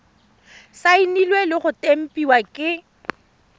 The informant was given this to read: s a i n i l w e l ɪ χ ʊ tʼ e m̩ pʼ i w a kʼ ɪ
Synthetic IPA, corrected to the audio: s a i n i l w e l ɪ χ ʊ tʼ e m̩ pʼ i w a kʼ ɪ